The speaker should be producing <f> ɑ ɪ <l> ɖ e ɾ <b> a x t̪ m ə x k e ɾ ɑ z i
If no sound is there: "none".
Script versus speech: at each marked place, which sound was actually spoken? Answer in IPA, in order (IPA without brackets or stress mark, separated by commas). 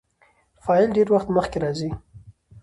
f, l, w